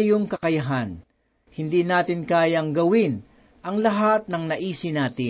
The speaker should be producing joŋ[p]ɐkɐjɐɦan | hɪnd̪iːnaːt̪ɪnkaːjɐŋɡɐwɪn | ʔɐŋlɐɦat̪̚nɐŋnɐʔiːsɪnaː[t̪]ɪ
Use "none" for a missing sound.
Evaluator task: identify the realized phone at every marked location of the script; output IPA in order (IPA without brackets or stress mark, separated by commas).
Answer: k, t̪